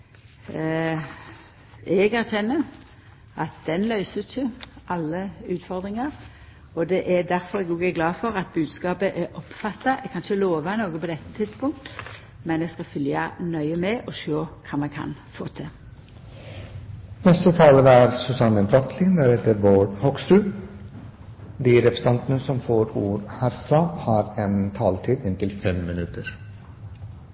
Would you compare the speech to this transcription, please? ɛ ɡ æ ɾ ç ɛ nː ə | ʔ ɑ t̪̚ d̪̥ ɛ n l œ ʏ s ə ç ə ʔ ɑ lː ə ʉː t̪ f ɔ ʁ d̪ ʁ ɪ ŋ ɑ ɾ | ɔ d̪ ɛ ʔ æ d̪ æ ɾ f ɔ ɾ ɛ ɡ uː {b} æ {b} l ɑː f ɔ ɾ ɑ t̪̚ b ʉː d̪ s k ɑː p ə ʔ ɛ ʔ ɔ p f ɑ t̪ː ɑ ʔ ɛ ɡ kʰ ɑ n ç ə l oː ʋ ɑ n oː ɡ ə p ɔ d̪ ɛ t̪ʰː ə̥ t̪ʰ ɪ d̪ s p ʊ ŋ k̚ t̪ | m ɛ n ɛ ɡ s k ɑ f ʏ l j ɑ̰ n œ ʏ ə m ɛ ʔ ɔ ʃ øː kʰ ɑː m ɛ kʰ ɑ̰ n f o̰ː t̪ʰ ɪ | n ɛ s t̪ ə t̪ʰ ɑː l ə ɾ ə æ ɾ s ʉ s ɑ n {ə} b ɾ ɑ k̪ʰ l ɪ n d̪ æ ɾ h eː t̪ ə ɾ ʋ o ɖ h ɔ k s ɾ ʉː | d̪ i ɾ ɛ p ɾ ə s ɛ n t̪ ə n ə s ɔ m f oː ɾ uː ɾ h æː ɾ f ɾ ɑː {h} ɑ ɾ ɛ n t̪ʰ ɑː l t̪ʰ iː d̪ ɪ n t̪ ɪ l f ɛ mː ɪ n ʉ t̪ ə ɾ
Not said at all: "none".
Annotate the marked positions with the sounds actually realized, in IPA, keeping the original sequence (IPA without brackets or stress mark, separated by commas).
ɡ, ɡ, ə, h